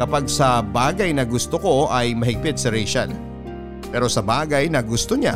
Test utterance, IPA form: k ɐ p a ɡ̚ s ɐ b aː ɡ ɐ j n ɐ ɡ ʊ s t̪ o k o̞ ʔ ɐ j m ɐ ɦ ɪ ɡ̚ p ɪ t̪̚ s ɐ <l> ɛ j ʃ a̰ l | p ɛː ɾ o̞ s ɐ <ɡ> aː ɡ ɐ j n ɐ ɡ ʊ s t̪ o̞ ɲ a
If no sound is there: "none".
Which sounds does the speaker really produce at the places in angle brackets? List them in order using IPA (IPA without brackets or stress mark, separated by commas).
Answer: ɾ, b